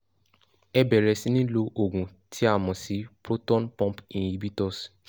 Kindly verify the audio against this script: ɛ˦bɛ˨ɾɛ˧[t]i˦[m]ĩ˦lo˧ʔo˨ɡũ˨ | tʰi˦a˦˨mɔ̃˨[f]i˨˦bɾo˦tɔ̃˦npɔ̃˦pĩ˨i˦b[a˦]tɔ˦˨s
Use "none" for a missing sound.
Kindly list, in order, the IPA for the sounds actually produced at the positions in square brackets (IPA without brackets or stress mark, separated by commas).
s, n, s, i˦